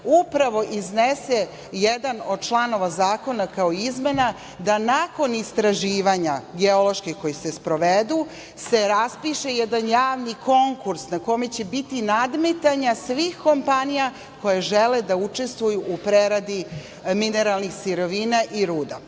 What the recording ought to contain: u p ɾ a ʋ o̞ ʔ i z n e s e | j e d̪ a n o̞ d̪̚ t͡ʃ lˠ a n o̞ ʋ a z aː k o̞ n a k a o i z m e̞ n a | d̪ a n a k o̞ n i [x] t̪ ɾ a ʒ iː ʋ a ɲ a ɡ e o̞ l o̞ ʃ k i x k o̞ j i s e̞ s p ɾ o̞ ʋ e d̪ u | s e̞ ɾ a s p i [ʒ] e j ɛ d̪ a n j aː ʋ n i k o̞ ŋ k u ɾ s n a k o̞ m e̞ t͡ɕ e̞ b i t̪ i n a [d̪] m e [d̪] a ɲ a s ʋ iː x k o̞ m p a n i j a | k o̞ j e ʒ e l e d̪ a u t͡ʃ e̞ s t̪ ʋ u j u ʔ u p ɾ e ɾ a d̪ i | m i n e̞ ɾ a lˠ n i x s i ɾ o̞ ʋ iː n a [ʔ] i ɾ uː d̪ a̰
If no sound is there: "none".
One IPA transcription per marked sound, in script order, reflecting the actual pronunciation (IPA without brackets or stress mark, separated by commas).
s, ʃ, d̪, t̪, ʔ